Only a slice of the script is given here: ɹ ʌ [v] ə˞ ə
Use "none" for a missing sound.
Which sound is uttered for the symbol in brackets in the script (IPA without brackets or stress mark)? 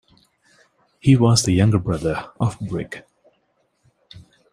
ð